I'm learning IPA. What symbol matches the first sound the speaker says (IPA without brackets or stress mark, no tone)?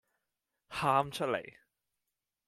h